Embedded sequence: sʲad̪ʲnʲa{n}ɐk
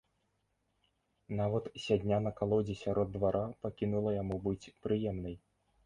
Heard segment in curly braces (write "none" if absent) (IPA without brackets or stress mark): n